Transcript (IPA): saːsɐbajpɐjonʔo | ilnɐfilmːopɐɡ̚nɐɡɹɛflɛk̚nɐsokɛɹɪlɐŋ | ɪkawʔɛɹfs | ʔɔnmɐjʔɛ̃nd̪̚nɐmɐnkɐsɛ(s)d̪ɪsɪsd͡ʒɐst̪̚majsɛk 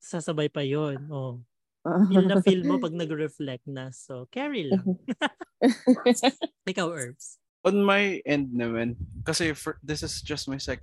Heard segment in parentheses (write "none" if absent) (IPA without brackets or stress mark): f